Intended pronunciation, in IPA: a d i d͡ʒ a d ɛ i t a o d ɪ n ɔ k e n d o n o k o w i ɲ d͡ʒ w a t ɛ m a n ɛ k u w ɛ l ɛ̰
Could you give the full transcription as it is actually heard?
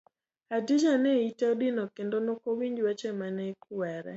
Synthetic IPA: a d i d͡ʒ a n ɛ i t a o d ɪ n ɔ k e n d o n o k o w i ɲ d͡ʒ w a t͡ʃ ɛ m a n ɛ k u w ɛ ɾ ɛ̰